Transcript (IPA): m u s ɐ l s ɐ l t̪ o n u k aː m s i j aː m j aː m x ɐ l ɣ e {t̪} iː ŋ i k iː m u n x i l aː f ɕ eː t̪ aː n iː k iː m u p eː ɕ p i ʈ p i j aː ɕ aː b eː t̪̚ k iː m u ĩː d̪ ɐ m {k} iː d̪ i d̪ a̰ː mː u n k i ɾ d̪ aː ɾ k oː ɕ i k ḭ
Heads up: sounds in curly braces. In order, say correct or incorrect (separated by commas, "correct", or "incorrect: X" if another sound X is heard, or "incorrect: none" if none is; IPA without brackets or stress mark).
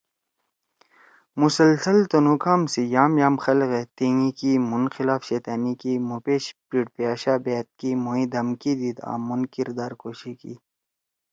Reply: correct, correct